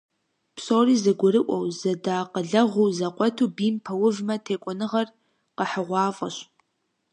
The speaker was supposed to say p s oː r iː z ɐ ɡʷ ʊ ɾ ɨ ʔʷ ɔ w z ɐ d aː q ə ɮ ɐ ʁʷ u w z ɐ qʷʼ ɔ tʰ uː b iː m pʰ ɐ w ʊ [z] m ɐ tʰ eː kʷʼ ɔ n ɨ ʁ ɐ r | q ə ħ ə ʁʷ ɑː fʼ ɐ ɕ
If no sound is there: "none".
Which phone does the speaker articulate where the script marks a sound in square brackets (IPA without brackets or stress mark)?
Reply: v